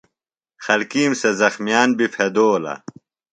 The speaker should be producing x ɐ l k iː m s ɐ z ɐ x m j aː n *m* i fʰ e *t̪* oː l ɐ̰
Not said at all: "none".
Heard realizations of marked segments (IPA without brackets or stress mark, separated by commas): b, d̪